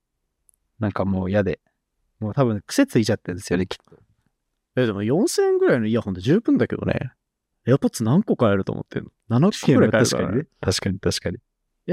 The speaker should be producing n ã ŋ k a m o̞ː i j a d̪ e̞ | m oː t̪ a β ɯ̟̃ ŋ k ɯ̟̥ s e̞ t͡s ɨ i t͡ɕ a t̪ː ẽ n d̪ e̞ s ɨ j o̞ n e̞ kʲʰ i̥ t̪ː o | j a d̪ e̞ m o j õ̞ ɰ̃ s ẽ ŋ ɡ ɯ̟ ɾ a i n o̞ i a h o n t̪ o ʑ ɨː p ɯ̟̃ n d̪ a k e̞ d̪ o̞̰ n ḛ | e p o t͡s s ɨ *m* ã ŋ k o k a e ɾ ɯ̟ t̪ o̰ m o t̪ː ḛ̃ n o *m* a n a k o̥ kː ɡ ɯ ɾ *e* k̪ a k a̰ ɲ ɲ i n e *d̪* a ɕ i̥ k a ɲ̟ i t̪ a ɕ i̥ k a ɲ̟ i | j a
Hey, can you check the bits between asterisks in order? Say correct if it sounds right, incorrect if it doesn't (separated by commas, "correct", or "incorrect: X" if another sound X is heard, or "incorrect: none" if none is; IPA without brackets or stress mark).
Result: incorrect: n, incorrect: n, incorrect: a, incorrect: t̪